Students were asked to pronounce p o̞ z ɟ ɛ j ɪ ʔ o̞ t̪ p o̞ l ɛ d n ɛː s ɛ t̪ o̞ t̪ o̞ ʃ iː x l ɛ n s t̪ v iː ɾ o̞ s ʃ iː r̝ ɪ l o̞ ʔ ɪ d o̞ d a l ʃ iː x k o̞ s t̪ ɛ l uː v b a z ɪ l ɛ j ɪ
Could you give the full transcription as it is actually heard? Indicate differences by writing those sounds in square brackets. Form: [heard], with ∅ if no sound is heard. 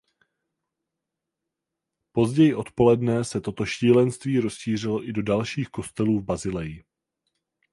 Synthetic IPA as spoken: p o̞ z ɟ ɛ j ɪ ʔ o̞ t̪ p o̞ l ɛ d n [ɛ] s ɛ t̪ o̞ t̪ o̞ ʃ iː [∅] l ɛ n s t̪ v iː ɾ o̞ s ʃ iː r̝ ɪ l o̞ ʔ ɪ d o̞ d a l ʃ iː x k o̞ s t̪ ɛ l uː v b a z ɪ l ɛ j ɪ